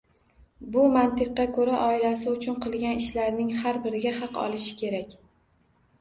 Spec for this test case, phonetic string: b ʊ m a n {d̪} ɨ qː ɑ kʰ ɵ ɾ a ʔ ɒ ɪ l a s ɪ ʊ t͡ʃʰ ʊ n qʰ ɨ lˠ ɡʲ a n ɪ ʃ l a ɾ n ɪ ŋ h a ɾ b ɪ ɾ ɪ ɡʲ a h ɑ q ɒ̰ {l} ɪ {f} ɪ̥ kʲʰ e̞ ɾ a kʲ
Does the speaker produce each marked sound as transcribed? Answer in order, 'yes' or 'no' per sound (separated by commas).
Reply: no, yes, no